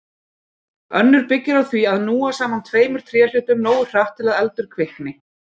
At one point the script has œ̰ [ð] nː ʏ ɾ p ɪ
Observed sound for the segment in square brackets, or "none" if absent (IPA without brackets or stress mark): none